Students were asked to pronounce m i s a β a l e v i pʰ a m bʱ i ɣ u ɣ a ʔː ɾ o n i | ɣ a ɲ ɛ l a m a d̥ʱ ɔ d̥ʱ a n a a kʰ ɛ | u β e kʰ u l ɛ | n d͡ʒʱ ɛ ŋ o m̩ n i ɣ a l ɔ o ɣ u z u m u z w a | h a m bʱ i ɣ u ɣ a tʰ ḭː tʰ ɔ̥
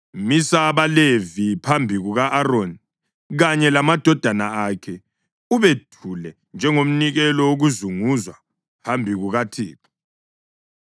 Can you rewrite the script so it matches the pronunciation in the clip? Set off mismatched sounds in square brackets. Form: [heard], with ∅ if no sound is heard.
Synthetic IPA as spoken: m i s a β a l e v i pʰ a m bʱ i ɣ u ɣ a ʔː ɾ o n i | ɣ a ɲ ɛ l a m a d̥ʱ ɔ d̥ʱ a n a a kʰ ɛ | u β e [tʰ] u l ɛ | n d͡ʒʱ ɛ ŋ o m̩ n i ɣ [ɛ] l ɔ o ɣ u z u [ŋ] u z w a | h a m bʱ i ɣ u ɣ a tʰ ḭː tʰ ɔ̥

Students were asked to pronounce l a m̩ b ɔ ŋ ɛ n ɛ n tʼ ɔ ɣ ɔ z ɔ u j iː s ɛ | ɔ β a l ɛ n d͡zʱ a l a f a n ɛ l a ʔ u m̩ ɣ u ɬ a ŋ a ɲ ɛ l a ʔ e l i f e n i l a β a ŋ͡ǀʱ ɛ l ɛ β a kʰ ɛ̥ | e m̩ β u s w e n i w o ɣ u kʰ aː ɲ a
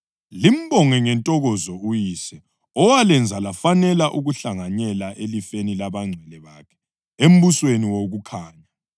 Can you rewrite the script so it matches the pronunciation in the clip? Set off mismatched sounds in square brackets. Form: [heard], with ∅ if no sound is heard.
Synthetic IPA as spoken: l [i] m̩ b ɔ ŋ ɛ [ŋ] ɛ n tʼ ɔ ɣ ɔ z ɔ u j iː s ɛ | ɔ [w] a l ɛ n d͡zʱ a l a f a n ɛ l a ʔ u [∅] ɣ u ɬ a ŋ a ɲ ɛ l a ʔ e l i f e n i l a β a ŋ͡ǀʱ ɛ l ɛ β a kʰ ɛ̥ | e m̩ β u s w e n i w o ɣ u kʰ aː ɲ a

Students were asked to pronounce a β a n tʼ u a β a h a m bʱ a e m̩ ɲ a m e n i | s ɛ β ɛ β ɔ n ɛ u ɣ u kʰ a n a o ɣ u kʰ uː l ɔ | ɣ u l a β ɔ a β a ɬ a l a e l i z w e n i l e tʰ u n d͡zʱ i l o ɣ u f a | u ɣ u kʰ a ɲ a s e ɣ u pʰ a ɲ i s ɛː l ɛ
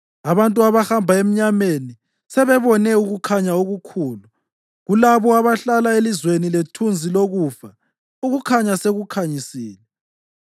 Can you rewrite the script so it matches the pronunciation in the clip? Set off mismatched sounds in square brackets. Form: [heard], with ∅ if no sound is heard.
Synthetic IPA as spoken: a β a n tʼ u a β a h a m bʱ a e m̩ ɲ a m e n i | s ɛ β ɛ β ɔ n ɛ u ɣ u kʰ a [ɲ] a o ɣ u kʰ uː l [u] | ɣ u l a β ɔ a β a ɬ a l a e l i z w e n i l e tʰ u n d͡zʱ i l o ɣ u f a | u ɣ u kʰ a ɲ a s e ɣ u [kʰ] a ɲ i s [iː] l ɛ

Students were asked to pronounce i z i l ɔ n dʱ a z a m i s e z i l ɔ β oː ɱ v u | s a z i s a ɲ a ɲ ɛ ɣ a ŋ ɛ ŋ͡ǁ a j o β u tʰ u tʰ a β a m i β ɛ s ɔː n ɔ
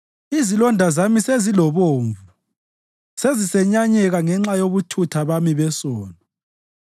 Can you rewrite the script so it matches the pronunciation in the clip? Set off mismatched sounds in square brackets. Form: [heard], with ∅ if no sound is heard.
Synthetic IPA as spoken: i z i l ɔ n dʱ a z a m i s e z i l ɔ β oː ɱ v u | s [e] z i s [ɛ] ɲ a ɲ ɛ ɣ a ŋ ɛ ŋ͡ǁ a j o β u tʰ u tʰ a β a m i β ɛ s ɔː n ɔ

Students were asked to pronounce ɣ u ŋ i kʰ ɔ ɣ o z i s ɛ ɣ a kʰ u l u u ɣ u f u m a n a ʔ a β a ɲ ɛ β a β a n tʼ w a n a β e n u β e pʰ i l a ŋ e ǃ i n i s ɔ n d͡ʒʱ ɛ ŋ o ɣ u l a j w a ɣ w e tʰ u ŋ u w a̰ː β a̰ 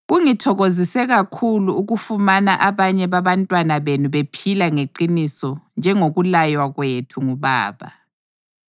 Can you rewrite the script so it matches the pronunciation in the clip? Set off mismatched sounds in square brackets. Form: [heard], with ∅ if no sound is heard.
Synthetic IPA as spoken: ɣ u ŋ i [tʰ] ɔ ɣ o z i s ɛ ɣ a kʰ u l u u ɣ u f u m a n a ʔ a β a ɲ ɛ β a β a n tʼ w a n a β e n u β e pʰ i l a ŋ e ǃ i n i s ɔ n d͡ʒʱ ɛ ŋ o ɣ u l a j w a ɣ w e tʰ u ŋ u [β] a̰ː β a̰

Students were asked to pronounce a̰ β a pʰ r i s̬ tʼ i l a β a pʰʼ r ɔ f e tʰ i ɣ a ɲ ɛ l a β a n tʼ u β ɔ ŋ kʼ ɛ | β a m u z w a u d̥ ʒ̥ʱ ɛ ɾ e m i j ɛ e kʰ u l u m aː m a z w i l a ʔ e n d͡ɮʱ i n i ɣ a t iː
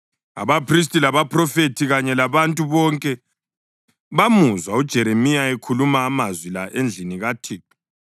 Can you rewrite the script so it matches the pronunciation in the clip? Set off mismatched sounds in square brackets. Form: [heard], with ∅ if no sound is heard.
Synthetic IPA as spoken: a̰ β a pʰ r i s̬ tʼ i l a β a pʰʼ r ɔ f e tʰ i ɣ a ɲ ɛ l a β a n tʼ u β ɔ ŋ kʼ ɛ | β a m u z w a u d̥ ʒ̥ʱ ɛ ɾ e m i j [a] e kʰ u l u m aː m a z w i l a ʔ e n d͡ɮʱ i n i ɣ a [tʰ] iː

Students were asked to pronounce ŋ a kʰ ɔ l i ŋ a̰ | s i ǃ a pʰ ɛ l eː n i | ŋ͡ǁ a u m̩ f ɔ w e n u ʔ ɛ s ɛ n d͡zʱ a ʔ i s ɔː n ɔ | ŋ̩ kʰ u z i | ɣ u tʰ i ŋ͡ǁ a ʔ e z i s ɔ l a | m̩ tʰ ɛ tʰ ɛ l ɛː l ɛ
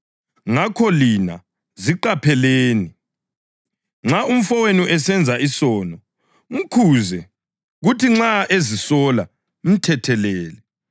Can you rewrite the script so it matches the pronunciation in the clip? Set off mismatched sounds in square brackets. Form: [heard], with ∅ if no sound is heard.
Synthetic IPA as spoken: ŋ a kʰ ɔ l i [n] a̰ | [z] i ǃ a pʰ ɛ l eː n i | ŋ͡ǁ a u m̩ f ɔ w e n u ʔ ɛ s ɛ n d͡zʱ a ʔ i s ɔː n ɔ | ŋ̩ kʰ u z [ɛ] | ɣ u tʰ i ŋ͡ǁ a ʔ e z i s ɔ l a | m̩ tʰ ɛ tʰ ɛ l ɛː l ɛ

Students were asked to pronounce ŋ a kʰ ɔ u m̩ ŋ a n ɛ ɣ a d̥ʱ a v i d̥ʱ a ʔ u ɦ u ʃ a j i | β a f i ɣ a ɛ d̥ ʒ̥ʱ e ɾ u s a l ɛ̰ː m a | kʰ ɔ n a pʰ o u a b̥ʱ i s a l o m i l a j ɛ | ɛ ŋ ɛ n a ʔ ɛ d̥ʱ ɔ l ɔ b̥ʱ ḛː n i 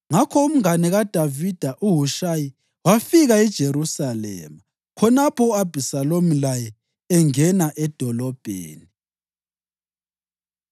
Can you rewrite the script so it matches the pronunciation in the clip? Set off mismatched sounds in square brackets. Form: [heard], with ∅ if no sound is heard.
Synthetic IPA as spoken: ŋ a kʰ ɔ u m̩ ŋ a n ɛ ɣ a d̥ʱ a v i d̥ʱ a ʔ u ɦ u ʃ a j i | [w] a f i ɣ a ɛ d̥ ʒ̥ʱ e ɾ u s a l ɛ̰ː m a | kʰ ɔ n a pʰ [ɔ] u a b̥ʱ i s a l o m i l a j ɛ | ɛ ŋ ɛ n a ʔ ɛ d̥ʱ ɔ l ɔ b̥ʱ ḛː n i

